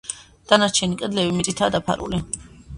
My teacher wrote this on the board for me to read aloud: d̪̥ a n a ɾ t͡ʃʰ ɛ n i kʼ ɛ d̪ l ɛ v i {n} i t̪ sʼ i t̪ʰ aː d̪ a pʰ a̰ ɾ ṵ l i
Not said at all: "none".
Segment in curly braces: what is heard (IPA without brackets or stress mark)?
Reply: m